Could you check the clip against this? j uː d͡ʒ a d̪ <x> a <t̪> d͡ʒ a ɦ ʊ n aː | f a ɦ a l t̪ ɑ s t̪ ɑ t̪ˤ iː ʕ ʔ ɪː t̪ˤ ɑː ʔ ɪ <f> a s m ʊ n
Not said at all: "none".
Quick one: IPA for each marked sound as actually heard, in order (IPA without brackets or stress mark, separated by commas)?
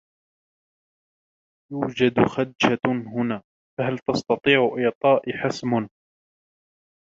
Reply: x, d̪, ħ